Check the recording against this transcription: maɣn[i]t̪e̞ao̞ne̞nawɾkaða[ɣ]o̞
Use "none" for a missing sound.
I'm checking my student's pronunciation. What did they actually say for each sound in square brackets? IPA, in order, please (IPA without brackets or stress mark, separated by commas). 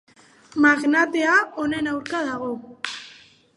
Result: a, ɣ